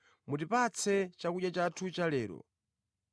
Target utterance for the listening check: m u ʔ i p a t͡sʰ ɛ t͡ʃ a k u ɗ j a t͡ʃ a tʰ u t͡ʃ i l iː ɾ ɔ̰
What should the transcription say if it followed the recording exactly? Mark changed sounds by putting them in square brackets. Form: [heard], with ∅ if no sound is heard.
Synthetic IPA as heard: m u [t] i p a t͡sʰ ɛ t͡ʃ a k u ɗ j a t͡ʃ a tʰ u t͡ʃ [a] l [ɛː] ɾ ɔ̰